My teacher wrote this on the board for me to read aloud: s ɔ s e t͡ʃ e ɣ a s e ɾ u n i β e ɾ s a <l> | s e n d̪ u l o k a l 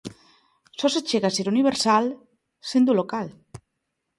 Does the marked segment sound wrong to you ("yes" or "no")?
no